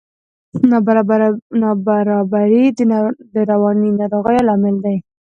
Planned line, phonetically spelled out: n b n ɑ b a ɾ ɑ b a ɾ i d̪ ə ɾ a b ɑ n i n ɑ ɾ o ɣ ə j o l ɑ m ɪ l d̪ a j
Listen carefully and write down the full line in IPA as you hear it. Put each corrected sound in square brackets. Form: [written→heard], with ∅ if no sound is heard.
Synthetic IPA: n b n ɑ b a ɾ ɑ b a ɾ i d̪ ə ɾ a [b→w] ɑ n i n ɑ ɾ o ɣ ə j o l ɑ m ɪ l d̪ a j